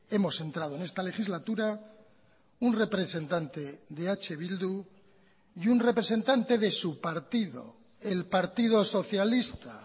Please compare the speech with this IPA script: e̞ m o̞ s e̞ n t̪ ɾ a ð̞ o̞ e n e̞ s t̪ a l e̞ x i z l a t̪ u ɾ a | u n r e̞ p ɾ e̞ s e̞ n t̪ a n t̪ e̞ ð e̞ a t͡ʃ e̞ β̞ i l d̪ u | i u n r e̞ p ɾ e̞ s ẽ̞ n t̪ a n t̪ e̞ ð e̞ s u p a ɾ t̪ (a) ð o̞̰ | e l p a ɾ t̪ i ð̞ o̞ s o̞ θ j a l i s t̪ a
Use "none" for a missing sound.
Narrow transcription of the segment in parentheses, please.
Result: i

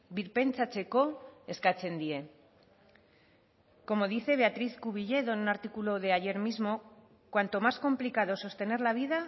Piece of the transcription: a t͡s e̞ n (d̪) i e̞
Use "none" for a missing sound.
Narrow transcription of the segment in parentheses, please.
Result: d̪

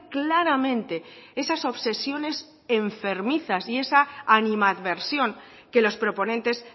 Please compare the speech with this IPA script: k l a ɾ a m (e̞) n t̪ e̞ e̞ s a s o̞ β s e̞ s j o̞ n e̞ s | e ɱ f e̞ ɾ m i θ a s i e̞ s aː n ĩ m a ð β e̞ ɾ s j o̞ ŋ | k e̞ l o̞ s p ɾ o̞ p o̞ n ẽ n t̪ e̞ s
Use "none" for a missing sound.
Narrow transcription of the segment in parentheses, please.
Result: ẽ̞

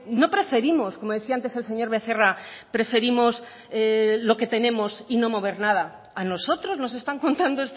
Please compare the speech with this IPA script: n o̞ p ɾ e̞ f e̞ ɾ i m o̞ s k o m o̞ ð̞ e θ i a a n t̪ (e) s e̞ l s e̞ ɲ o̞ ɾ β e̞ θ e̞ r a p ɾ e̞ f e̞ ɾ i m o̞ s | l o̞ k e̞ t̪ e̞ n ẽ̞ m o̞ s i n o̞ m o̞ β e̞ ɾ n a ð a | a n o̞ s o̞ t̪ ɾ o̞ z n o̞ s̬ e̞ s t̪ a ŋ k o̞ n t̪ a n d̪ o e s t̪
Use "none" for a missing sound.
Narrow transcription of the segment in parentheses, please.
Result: e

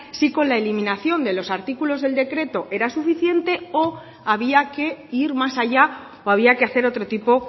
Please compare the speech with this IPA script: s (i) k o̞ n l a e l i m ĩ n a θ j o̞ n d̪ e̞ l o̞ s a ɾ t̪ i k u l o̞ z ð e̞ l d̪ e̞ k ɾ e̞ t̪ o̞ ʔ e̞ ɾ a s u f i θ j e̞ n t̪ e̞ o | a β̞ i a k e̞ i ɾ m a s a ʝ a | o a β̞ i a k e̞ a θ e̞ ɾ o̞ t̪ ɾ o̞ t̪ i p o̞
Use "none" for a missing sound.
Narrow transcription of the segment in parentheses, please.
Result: i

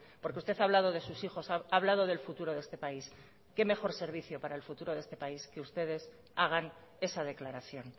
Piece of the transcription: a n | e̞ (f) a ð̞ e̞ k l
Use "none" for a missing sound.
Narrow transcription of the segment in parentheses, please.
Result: s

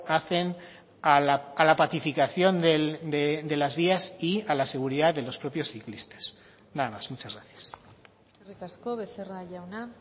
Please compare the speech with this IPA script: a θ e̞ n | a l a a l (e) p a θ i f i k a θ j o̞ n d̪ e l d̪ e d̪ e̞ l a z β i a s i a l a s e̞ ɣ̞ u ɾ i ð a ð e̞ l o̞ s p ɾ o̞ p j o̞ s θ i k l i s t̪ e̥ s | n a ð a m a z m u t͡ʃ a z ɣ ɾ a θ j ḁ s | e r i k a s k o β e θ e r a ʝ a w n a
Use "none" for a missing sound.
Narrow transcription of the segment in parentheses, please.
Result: a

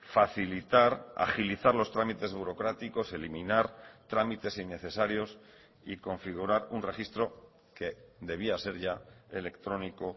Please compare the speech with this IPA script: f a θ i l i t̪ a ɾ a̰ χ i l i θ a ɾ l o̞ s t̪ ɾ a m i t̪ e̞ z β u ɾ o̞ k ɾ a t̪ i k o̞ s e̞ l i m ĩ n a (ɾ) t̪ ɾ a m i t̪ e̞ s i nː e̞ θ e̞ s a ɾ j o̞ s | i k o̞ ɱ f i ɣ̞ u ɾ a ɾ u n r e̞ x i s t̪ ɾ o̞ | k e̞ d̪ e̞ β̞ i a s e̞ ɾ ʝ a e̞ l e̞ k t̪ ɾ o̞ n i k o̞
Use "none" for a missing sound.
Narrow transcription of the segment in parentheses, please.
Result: ɾ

